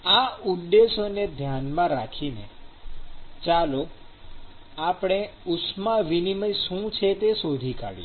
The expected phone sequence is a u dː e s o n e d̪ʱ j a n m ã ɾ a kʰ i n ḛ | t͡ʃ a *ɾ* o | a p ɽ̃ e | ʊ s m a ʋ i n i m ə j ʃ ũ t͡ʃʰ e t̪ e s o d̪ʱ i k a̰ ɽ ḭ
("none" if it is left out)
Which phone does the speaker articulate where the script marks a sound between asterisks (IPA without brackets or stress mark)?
l